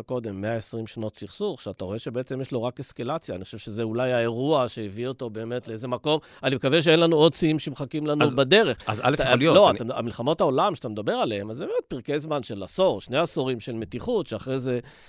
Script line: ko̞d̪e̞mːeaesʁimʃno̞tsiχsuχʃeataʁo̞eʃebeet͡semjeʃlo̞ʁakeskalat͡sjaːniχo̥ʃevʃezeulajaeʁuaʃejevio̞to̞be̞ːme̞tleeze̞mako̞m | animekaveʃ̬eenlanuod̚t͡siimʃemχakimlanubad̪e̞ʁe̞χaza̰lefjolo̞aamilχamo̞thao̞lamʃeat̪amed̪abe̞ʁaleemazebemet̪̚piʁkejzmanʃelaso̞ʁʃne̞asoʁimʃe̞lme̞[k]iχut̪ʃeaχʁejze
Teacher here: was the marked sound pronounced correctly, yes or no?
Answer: no